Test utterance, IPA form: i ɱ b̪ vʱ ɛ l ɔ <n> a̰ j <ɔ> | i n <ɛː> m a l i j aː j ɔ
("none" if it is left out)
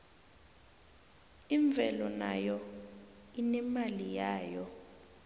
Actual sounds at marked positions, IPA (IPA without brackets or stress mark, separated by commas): n, ɔ, ɛ